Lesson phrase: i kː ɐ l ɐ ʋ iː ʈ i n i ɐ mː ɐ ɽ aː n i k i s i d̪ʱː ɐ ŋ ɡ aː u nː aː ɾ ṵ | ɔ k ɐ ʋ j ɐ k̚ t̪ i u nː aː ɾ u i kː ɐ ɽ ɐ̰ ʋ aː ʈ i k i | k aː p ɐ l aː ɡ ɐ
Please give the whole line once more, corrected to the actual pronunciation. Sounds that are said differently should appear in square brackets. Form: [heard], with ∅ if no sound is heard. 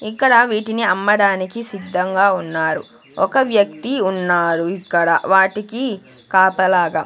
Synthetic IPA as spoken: i kː ɐ [ɽ] ɐ ʋ iː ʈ i n i ɐ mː ɐ ɽ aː n i k i s i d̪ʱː ɐ ŋ ɡ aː u nː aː ɾ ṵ | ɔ k ɐ ʋ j ɐ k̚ t̪ i u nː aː ɾ u i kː ɐ ɽ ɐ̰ ʋ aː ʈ i k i | k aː p ɐ l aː ɡ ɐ

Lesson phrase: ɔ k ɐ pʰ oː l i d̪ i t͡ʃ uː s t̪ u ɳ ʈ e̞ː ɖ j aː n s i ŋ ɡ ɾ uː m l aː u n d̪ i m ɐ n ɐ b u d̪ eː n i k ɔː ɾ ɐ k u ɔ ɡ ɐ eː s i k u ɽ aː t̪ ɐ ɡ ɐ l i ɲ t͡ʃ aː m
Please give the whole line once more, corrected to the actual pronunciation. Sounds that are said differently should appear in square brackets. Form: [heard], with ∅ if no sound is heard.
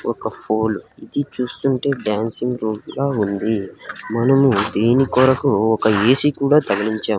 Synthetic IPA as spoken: ɔ k ɐ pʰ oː l i d̪ i t͡ʃ uː s t̪ u ɳ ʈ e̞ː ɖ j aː n s i ŋ ɡ ɾ uː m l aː u n d̪ i m ɐ n ɐ [m] u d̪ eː n i k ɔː ɾ ɐ k u ɔ [k] ɐ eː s i k [uː] ɽ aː t̪ ɐ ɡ ɐ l i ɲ t͡ʃ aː m

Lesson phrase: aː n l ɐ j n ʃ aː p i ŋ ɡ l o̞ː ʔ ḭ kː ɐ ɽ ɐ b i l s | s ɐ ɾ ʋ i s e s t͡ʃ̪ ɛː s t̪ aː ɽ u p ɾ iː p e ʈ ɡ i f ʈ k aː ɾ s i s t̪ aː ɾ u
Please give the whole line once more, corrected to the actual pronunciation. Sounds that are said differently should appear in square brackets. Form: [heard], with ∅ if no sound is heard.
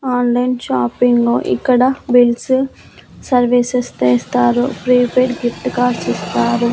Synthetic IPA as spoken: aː n l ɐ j n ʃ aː p i ŋ ɡ l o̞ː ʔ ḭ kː ɐ ɽ ɐ b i l s | s ɐ ɾ ʋ i s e s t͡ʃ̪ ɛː s t̪ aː [ɾ] u p ɾ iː p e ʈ ɡ i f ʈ k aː ɾ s i s t̪ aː ɾ u

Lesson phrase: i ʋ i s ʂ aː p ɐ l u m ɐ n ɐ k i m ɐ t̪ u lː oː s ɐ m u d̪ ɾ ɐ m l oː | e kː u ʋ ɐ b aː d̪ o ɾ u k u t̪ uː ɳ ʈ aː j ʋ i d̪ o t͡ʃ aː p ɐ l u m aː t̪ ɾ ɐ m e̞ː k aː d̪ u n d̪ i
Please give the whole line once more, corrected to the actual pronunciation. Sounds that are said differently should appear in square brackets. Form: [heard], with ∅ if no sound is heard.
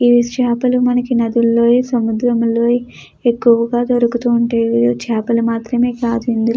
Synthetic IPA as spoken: i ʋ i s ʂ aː p ɐ l u m ɐ n ɐ k i [n] ɐ [d̪] u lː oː s ɐ m u d̪ ɾ ɐ m l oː | e kː u ʋ ɐ [ɡ] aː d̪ o ɾ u k u t̪ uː ɳ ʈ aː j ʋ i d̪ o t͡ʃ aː p ɐ l u m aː t̪ ɾ ɐ m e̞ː k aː d̪ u n d̪ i

